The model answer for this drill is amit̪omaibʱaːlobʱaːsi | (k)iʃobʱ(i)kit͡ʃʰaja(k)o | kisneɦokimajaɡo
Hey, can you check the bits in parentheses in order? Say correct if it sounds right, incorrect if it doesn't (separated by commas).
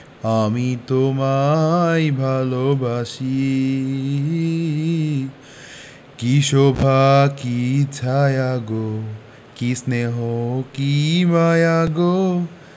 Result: correct, incorrect, incorrect